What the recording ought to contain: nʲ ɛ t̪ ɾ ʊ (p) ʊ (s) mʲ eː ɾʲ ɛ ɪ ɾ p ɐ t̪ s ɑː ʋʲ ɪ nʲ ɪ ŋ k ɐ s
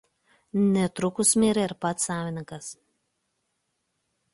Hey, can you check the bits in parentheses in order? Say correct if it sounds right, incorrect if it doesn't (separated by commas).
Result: incorrect, correct